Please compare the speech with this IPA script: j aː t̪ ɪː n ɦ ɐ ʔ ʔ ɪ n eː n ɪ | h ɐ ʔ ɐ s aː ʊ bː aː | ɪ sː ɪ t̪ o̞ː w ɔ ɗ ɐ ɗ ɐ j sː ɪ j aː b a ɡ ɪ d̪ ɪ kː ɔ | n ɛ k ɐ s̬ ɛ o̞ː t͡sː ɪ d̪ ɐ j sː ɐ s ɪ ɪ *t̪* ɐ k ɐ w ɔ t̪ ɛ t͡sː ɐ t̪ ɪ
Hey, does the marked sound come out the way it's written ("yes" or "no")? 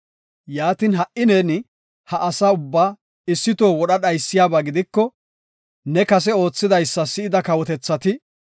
no